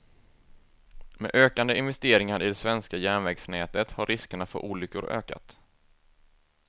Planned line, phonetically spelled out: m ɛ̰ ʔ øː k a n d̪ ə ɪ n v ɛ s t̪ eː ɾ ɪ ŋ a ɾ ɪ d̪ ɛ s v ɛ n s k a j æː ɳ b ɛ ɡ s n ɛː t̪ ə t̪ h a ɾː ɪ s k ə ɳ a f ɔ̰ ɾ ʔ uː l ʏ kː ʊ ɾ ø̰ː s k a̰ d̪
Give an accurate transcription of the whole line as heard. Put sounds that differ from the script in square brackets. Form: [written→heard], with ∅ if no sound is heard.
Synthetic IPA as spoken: m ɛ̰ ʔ øː k a n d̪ ə ɪ n v ɛ s t̪ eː ɾ ɪ ŋ a ɾ ɪ d̪ ɛ s v ɛ n s k a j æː ɳ [b→v] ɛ ɡ s n ɛː t̪ ə t̪ h a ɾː ɪ s k ə ɳ a f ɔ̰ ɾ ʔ uː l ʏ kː ʊ ɾ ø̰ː [s→∅] k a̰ [d̪→t̪]